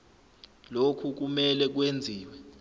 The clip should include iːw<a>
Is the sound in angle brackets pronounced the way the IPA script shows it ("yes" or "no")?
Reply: no